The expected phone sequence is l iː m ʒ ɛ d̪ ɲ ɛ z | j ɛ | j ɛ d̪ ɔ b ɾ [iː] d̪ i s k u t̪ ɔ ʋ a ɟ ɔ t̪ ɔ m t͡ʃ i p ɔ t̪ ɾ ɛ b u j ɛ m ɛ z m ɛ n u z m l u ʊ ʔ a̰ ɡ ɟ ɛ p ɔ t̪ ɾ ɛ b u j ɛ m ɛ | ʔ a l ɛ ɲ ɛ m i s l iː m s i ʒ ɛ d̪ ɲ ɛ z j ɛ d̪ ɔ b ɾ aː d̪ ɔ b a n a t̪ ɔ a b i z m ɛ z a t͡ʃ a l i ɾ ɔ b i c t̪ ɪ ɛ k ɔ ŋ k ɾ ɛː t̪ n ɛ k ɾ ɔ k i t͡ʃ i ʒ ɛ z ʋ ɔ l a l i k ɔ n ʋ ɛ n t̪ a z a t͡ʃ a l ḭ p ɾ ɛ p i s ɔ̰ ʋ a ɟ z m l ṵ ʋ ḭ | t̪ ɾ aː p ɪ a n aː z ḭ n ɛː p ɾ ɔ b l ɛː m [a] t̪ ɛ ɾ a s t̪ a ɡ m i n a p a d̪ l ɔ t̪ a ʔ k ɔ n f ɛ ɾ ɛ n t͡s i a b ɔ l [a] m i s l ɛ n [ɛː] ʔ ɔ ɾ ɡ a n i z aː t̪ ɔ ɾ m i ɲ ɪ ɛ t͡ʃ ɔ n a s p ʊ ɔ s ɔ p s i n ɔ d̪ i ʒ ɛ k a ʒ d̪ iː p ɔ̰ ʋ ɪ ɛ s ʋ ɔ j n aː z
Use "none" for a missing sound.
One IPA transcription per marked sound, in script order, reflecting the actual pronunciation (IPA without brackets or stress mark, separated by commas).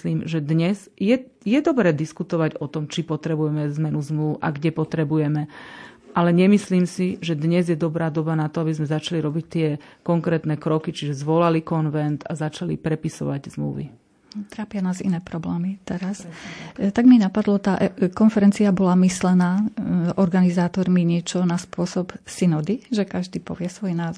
ɛː, i, a, aː